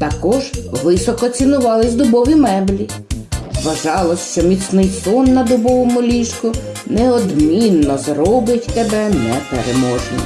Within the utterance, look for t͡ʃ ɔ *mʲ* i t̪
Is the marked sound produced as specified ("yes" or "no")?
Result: yes